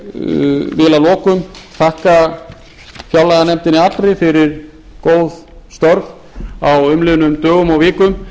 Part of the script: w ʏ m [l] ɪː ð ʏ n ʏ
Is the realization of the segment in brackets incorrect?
no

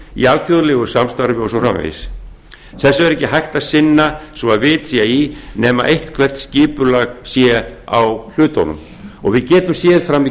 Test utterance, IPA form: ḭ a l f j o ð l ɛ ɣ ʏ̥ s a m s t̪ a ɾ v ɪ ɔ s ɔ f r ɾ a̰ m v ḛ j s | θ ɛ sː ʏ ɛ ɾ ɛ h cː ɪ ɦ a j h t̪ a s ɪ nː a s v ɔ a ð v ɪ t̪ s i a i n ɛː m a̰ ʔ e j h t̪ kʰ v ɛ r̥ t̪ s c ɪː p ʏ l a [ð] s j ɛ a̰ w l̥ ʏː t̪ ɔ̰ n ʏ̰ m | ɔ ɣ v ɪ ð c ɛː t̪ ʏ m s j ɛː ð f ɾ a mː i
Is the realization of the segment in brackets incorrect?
yes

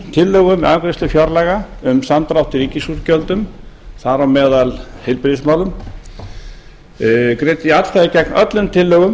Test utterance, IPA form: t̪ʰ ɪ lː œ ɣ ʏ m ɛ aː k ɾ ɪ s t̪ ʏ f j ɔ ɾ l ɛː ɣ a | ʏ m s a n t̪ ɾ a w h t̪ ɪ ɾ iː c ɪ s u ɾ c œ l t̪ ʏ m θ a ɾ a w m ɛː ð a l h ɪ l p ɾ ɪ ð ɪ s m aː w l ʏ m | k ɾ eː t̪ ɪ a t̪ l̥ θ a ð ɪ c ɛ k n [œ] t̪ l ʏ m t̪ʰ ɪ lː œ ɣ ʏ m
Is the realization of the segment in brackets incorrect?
no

